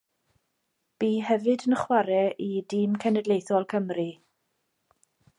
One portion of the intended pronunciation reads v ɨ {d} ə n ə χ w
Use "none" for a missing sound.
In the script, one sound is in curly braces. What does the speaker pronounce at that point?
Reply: d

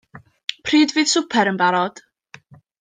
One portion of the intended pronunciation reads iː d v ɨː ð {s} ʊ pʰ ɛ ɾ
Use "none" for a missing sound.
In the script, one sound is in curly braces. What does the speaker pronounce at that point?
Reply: s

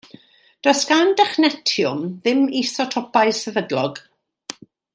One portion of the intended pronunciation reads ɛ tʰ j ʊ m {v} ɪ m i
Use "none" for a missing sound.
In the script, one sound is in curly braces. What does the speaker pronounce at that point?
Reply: ð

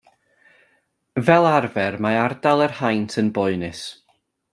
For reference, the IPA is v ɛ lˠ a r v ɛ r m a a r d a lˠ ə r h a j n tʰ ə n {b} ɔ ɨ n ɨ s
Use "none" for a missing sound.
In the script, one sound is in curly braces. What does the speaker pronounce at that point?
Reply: b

